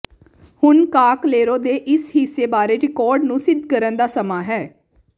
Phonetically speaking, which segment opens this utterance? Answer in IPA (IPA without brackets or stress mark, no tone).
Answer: h